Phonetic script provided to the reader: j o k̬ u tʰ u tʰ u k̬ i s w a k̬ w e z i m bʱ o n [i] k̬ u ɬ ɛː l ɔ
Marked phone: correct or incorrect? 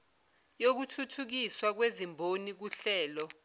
correct